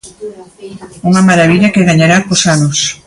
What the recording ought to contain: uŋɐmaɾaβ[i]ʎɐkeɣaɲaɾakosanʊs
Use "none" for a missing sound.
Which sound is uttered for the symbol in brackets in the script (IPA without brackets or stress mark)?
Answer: i